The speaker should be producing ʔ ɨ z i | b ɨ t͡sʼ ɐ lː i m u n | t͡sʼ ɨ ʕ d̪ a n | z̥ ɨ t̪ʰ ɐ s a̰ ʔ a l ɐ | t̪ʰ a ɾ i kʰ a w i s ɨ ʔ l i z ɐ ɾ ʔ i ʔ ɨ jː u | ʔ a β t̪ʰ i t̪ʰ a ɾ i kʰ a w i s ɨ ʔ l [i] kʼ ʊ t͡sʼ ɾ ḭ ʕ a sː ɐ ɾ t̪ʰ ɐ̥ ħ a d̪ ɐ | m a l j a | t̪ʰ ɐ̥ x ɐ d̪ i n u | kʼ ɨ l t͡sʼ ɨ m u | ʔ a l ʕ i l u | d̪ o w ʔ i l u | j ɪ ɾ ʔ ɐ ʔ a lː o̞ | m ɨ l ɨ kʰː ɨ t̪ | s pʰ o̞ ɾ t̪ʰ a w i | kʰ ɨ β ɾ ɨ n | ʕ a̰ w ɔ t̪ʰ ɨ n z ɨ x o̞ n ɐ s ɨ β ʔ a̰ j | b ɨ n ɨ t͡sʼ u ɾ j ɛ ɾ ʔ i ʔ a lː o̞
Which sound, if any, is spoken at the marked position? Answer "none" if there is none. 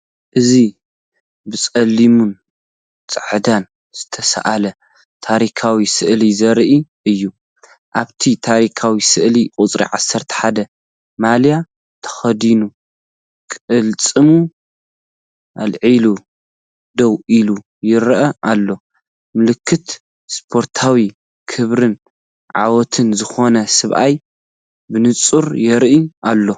i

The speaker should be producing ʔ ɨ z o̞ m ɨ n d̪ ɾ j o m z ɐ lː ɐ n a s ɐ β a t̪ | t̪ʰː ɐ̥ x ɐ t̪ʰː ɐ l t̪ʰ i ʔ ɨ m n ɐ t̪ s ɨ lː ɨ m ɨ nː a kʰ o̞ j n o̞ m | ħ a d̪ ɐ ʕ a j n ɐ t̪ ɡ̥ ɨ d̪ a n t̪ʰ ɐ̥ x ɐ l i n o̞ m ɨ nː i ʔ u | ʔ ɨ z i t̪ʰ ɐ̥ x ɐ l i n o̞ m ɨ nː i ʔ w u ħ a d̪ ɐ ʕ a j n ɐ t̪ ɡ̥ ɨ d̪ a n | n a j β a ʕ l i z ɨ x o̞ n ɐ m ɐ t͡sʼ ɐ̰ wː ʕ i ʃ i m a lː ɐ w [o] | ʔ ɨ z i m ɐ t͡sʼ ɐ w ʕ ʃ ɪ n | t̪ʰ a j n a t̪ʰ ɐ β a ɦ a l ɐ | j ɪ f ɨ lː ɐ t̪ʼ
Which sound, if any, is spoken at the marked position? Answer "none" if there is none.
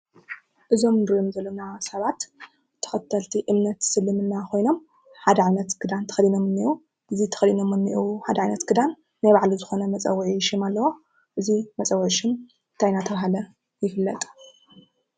o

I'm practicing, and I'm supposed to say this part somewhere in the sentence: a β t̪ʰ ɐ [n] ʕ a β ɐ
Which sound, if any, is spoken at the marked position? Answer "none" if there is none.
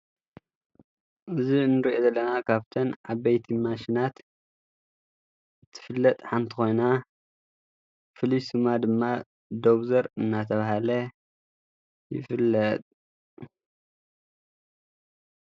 n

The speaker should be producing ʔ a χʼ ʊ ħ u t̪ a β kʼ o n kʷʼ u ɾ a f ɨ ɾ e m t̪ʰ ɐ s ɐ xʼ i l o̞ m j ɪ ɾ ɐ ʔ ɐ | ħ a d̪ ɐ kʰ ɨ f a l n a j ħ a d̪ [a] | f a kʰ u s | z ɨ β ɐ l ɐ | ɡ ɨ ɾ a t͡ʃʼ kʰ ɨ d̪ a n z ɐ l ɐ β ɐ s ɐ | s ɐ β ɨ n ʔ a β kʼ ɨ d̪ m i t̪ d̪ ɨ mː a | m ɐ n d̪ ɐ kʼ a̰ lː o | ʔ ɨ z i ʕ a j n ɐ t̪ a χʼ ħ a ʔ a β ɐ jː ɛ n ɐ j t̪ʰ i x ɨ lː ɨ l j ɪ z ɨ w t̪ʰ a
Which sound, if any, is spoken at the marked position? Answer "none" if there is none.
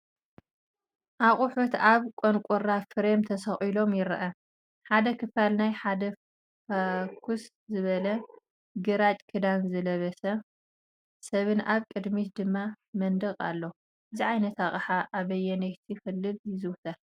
ɐ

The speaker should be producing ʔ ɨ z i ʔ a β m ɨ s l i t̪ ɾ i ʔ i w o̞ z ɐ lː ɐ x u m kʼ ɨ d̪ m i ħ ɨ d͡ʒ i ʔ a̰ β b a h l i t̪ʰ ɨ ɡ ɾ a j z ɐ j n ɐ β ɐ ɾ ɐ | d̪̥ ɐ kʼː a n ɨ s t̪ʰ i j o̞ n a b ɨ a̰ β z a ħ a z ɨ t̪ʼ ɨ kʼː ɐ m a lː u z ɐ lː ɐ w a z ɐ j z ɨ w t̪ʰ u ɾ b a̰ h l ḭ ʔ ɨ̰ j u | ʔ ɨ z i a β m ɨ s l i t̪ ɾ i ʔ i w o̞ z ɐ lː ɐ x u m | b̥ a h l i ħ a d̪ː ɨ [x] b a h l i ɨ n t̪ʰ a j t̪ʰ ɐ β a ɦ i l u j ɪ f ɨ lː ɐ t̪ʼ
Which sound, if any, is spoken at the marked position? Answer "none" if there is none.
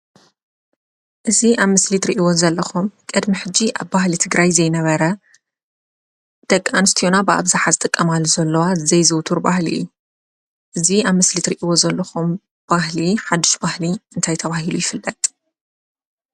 ʃ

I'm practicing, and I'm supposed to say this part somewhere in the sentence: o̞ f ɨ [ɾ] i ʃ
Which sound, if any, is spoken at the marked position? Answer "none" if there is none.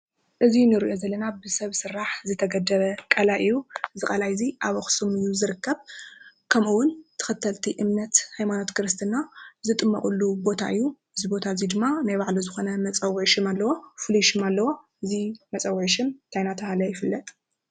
l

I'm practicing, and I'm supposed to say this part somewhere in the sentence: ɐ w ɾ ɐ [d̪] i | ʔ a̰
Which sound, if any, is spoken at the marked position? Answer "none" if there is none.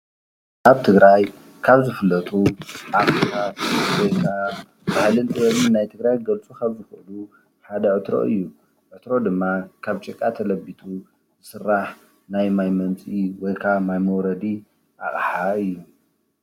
d̪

